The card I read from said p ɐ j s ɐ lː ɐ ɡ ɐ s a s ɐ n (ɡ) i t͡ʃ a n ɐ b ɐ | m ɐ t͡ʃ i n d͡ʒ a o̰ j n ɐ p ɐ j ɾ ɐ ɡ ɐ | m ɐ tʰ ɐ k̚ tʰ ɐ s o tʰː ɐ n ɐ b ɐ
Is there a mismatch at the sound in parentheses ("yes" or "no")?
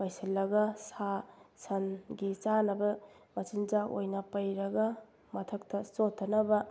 no